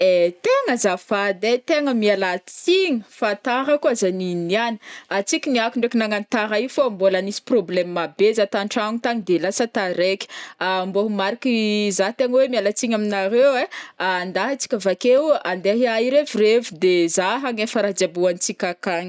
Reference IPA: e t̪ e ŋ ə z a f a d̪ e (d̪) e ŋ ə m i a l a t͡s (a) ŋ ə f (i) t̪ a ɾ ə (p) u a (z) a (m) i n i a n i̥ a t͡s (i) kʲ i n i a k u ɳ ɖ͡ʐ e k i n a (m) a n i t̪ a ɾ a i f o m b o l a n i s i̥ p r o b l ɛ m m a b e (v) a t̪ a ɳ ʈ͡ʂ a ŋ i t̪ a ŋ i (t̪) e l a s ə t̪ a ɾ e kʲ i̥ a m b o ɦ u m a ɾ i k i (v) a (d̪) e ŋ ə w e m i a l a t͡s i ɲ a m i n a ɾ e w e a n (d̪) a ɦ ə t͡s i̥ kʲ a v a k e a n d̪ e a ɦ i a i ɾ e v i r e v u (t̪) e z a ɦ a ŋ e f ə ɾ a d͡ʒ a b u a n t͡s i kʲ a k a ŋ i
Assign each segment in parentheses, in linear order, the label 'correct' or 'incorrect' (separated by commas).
incorrect, incorrect, incorrect, incorrect, correct, incorrect, correct, incorrect, incorrect, incorrect, incorrect, incorrect, correct, incorrect